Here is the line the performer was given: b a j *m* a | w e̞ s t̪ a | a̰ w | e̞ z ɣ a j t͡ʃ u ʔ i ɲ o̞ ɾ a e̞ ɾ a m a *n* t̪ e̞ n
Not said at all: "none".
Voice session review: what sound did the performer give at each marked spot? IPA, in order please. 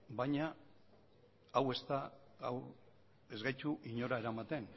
ɲ, none

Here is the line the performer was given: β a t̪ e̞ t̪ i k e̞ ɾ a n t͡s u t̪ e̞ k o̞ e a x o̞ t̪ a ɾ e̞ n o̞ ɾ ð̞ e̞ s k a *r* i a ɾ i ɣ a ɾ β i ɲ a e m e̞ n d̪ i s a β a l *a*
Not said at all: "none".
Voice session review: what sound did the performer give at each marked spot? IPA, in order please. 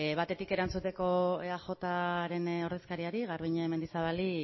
ɾ, i

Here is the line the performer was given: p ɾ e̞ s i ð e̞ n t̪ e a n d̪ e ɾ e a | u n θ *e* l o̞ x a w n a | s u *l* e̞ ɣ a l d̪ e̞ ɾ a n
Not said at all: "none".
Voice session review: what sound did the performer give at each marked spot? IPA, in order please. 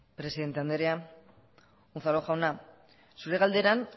a, ɾ

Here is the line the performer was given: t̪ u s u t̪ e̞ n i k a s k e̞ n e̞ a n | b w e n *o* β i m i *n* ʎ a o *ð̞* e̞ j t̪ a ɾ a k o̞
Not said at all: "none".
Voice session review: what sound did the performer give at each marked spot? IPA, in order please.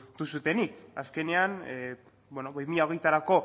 o, none, ɣ̞

